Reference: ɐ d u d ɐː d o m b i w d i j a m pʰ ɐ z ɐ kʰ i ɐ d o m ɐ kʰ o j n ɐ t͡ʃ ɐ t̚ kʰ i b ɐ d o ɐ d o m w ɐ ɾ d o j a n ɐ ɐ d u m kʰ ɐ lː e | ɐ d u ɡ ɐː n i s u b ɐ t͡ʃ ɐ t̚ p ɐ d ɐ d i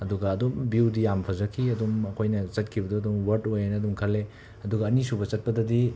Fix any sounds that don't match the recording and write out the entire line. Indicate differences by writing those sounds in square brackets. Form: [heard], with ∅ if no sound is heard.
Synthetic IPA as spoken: ɐ d u [ɡ] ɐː d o m b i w d i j a m pʰ ɐ z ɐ kʰ i ɐ d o m ɐ kʰ o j n ɐ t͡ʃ ɐ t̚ kʰ i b ɐ d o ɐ d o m w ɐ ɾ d o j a n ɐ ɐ d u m kʰ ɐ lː e | ɐ d u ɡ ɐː n i s u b ɐ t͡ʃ ɐ t̚ p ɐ d ɐ d i